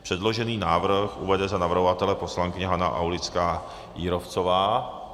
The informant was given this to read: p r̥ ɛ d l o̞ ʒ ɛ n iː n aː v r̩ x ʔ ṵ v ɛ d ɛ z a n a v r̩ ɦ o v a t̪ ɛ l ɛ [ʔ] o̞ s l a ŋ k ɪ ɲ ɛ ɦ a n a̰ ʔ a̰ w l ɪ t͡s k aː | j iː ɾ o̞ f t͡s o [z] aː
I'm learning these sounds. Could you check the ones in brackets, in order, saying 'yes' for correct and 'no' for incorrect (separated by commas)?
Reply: no, no